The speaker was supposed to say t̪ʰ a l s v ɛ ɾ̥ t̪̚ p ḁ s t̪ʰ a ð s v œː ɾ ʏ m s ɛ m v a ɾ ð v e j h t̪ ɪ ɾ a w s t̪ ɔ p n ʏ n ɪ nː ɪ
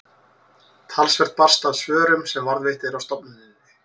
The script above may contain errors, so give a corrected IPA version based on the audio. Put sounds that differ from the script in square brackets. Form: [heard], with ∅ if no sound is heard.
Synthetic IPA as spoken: t̪ʰ a l s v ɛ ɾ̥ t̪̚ p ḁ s [t̪] a ð s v œː ɾ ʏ m s ɛ m v a ɾ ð v e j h t̪ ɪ ɾ a w s t̪ ɔ p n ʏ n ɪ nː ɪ